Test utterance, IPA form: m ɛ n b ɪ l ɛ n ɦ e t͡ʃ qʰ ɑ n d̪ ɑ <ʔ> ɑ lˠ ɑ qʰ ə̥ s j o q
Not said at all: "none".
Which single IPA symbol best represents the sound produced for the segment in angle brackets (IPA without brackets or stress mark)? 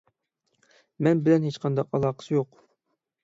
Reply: q